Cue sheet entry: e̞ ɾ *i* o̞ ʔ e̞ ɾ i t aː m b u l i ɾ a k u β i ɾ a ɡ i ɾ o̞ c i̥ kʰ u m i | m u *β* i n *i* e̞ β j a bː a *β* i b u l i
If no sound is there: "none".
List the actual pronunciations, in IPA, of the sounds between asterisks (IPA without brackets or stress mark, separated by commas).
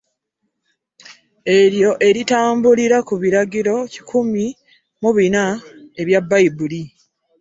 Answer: j, β, a, none